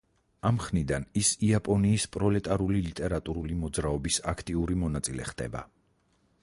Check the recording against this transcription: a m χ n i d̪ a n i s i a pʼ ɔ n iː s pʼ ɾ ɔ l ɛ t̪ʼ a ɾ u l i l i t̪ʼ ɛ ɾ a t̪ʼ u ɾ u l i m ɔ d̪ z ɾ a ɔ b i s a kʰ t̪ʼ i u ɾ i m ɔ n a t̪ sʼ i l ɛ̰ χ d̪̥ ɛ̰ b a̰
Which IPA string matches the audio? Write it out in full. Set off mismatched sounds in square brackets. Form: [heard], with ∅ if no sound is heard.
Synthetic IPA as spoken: a m χ n i d̪ a n i s i a pʼ ɔ n iː s pʼ ɾ ɔ l ɛ t̪ʼ a ɾ u l i l i t̪ʼ ɛ ɾ a t̪ʼ u ɾ u l i m ɔ d̪ z ɾ a ɔ b i s a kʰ t̪ʼ i u ɾ i m ɔ n a t̪ sʼ i l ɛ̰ χ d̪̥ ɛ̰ b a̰